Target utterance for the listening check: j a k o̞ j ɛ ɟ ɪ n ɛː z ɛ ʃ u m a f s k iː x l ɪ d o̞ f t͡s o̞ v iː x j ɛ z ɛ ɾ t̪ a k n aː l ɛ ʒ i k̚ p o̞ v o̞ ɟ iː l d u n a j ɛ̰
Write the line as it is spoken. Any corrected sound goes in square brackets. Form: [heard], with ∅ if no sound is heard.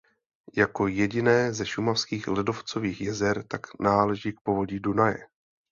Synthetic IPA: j a k o̞ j ɛ ɟ ɪ n ɛː z ɛ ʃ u m a f s k iː x l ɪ d o̞ f t͡s o̞ v iː x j ɛ z ɛ ɾ t̪ a k n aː l ɛ ʒ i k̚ p o̞ v o̞ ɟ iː [∅] d u n a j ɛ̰